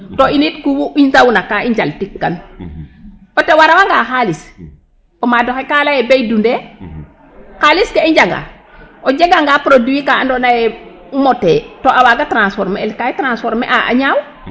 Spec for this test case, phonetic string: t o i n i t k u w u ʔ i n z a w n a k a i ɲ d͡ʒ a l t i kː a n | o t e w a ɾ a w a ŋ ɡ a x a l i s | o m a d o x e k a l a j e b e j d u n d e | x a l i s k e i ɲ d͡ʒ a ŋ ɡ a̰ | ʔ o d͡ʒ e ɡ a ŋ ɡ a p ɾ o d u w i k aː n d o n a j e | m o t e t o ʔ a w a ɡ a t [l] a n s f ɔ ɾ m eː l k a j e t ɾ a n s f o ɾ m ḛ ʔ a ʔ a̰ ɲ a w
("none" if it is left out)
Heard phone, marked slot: ɾ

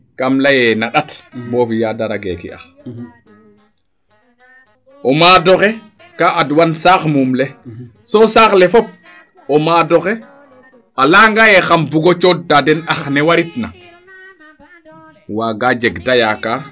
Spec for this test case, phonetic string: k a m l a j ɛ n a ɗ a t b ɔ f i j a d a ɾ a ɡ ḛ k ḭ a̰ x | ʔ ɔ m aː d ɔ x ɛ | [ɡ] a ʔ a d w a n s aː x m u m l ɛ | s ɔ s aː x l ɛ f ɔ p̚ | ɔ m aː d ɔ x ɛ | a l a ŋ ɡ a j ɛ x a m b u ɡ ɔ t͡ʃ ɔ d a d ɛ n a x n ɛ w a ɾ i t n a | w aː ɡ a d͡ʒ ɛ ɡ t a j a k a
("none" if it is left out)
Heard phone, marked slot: k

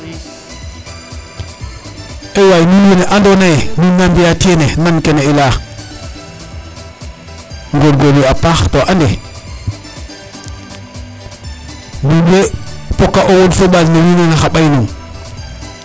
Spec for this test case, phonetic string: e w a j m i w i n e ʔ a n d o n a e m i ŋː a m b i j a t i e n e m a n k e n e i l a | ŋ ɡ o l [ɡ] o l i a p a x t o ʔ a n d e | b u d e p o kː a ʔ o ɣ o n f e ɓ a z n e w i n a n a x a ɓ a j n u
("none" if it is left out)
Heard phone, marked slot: ɡ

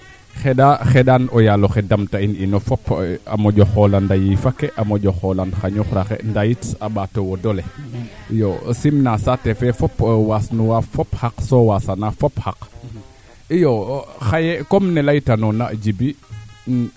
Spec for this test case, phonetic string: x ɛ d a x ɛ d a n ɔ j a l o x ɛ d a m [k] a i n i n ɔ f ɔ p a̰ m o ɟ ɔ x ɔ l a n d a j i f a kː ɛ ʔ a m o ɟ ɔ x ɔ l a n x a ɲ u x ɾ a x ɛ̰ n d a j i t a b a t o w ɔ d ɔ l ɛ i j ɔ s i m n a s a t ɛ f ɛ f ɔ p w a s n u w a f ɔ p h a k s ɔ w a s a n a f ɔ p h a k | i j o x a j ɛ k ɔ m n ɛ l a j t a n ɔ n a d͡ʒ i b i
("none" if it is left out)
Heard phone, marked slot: t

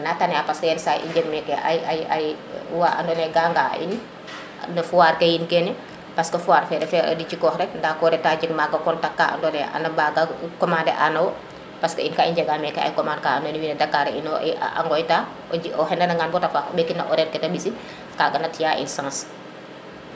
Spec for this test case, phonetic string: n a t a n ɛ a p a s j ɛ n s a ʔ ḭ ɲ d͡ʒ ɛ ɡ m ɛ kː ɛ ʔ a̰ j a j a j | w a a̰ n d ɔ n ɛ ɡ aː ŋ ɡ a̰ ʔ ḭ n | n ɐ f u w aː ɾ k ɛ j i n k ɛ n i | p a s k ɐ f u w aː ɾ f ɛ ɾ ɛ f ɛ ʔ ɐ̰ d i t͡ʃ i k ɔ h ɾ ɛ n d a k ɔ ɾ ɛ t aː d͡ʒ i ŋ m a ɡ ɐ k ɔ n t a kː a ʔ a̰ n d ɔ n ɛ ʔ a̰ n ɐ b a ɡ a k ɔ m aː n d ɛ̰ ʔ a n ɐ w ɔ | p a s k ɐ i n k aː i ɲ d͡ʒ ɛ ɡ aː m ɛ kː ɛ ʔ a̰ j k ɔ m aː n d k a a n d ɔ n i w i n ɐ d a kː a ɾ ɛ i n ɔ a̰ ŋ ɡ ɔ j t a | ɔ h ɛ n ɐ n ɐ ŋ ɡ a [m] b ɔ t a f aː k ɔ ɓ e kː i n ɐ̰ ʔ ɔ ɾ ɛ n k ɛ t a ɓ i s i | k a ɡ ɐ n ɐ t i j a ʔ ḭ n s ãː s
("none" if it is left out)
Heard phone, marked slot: n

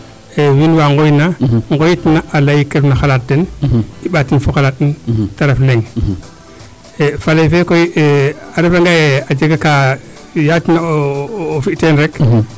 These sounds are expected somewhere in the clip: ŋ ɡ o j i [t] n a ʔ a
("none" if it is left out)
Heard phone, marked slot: t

